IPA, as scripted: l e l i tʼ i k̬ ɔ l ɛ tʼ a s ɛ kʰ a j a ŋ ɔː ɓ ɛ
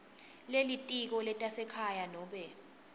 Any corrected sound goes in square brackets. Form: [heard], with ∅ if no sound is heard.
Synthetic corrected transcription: l e l i tʼ i k̬ ɔ l ɛ tʼ a s ɛ kʰ a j a [n] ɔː ɓ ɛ